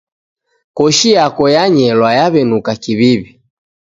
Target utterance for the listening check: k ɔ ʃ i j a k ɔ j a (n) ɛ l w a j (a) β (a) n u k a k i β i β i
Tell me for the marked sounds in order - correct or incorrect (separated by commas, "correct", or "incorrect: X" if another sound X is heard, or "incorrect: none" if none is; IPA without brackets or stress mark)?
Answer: incorrect: ɲ, correct, incorrect: ɛ